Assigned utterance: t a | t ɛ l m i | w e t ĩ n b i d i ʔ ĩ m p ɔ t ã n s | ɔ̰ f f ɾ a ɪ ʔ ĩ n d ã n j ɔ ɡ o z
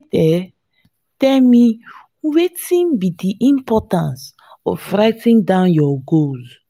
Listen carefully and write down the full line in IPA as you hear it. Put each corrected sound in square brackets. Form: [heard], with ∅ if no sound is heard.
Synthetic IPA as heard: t [ɛ] | t ɛ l m i | w e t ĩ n b i d i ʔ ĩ m p ɔ t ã n s | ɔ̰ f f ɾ a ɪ [t] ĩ n d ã n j ɔ ɡ o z